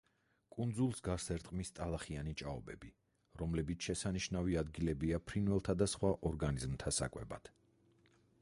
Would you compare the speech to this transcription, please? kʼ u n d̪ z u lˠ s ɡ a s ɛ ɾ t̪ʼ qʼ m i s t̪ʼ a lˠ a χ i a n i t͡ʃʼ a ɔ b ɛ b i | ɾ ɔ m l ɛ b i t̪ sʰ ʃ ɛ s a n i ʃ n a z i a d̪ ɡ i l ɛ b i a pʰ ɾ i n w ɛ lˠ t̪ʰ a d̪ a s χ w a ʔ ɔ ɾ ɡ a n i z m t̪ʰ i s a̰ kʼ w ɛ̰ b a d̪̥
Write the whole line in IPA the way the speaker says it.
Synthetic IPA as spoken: kʼ u n d̪ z u lˠ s ɡ a s ɛ ɾ t̪ʼ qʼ m i s t̪ʼ a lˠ a χ i a n i t͡ʃʼ a ɔ b ɛ b i | ɾ ɔ m l ɛ b i t̪ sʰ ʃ ɛ s a n i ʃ n a v i a d̪ ɡ i l ɛ b i a pʰ ɾ i n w ɛ lˠ t̪ʰ a d̪ a s χ w a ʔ ɔ ɾ ɡ a n i z m t̪ʰ a s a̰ kʼ w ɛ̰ b a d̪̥